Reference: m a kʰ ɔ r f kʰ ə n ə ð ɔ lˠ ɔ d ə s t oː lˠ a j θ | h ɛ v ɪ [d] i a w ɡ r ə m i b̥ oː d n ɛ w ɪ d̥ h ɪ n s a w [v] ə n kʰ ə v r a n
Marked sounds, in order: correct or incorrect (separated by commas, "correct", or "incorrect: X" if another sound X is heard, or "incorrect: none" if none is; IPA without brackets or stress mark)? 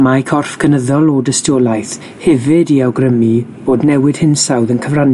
correct, incorrect: ð